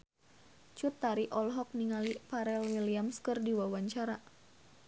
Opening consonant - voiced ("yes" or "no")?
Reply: no